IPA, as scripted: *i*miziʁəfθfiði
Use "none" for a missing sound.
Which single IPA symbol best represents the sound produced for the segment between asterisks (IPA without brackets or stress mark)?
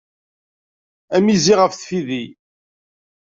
æ